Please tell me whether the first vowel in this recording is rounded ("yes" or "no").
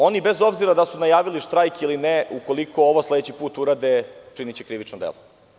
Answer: yes